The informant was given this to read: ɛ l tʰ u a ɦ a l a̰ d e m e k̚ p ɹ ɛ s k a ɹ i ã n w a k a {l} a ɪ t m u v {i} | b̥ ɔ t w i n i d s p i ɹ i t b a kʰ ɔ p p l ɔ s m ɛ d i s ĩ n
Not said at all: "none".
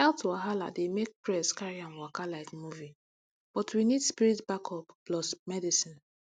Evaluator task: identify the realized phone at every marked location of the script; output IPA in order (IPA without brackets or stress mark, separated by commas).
l, i